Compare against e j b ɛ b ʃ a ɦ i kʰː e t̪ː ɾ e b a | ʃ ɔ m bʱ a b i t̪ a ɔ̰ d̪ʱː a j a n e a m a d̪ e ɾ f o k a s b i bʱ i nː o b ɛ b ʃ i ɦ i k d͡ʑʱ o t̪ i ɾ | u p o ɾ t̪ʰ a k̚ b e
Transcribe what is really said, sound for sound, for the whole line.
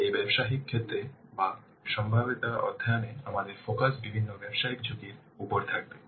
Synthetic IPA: e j b ɛ b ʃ a ɦ i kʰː e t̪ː ɾ e b a | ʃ ɔ m bʱ a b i t̪ a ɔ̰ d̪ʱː a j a n e a m a d̪ e ɾ f o k a s b i bʱ i nː o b ɛ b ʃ a ɦ i k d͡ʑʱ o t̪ i ɾ | u p o ɾ t̪ʰ a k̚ b e